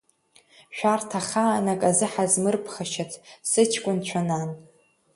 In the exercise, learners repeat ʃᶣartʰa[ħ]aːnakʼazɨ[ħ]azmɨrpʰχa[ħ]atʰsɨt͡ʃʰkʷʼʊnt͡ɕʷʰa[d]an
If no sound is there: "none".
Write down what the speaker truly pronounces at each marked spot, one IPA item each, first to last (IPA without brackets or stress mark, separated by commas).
χ, ħ, ʃ, n